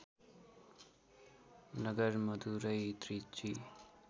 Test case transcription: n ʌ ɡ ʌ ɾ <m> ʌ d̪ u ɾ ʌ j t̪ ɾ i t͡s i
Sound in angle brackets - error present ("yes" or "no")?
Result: no